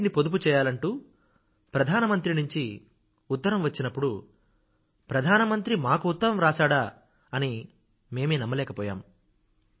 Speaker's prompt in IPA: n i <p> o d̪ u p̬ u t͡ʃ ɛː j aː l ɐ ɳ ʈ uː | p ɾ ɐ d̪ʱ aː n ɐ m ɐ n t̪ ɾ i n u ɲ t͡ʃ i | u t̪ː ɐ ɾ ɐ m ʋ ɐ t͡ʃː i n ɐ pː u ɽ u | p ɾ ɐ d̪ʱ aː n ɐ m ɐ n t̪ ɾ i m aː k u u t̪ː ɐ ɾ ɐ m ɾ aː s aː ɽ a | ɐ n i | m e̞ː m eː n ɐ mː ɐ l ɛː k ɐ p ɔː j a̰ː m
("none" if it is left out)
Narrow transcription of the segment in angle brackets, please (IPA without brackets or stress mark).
p